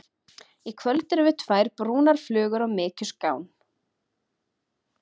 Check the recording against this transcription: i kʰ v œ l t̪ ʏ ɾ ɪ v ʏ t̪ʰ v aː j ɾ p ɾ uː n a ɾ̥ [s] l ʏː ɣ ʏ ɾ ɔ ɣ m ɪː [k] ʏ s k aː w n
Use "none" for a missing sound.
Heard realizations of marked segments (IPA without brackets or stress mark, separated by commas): f, c